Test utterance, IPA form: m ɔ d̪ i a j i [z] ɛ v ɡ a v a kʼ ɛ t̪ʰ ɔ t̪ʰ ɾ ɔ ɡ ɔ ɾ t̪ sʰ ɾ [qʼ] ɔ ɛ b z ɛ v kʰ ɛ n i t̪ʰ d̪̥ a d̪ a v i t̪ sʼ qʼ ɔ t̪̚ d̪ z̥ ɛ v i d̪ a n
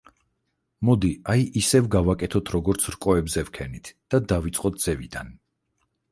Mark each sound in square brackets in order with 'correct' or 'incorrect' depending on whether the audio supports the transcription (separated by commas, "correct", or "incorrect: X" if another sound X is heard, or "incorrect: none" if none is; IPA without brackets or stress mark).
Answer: incorrect: s, incorrect: kʼ